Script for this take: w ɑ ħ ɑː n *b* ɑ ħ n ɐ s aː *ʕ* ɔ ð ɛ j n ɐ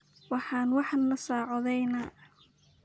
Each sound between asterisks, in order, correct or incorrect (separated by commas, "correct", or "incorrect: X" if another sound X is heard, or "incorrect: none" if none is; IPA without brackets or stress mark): incorrect: w, correct